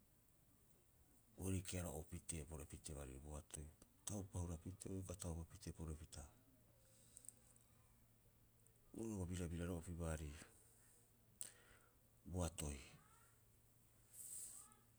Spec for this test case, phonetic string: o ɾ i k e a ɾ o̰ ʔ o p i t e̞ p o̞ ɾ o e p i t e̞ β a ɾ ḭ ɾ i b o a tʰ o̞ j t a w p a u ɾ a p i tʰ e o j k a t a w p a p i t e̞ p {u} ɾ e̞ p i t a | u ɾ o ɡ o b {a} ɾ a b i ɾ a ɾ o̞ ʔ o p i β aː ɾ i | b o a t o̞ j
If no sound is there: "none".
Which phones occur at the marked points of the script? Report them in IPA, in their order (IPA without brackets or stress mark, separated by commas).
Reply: o, i